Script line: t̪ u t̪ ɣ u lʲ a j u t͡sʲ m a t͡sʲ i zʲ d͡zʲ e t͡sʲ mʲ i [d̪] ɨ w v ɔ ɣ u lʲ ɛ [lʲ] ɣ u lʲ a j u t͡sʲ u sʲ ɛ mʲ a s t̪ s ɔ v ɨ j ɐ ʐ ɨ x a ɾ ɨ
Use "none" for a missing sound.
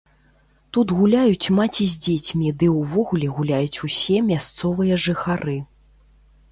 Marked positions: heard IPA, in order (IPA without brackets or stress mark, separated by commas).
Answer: d̪, none